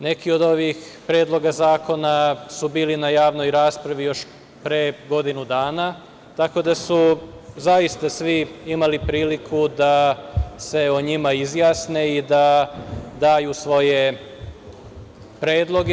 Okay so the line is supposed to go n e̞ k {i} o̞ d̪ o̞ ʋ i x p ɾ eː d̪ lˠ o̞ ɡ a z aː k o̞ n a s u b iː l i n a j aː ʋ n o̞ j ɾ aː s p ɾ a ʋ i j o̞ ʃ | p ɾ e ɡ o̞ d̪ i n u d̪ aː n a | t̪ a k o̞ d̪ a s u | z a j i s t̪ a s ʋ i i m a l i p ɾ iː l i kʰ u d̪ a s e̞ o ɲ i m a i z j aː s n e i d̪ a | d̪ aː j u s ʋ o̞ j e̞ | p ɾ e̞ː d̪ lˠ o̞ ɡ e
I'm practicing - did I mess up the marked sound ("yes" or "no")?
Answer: no